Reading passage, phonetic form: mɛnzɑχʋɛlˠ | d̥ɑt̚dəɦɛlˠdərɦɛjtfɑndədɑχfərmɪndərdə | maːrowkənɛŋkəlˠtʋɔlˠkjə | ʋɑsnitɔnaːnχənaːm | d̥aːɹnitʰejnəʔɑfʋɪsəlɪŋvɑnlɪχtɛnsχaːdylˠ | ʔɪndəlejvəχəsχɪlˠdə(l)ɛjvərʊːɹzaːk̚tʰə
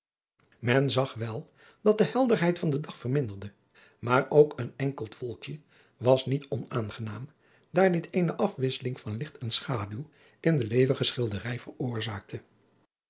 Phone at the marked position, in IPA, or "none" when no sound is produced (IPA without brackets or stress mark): r